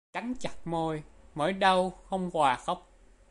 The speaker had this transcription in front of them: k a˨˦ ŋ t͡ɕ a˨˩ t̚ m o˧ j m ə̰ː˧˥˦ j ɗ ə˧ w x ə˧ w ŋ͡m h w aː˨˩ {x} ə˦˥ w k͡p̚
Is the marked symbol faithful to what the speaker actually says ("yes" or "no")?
yes